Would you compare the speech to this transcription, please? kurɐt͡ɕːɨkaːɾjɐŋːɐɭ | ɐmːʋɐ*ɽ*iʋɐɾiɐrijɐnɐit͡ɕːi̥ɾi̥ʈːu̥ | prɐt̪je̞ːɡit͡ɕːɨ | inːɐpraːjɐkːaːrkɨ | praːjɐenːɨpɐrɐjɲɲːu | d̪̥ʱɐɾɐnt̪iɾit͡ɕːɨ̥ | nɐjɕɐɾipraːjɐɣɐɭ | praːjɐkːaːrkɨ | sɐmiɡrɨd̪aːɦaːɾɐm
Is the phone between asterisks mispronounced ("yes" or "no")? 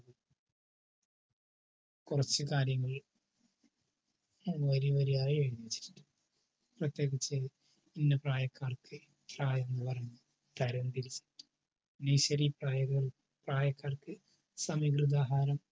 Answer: yes